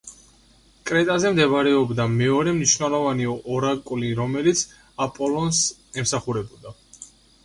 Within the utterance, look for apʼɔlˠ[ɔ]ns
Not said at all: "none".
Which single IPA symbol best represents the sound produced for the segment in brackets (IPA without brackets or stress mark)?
ɔ